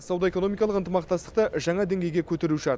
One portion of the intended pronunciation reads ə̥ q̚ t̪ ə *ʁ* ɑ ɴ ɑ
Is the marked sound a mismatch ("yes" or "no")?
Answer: yes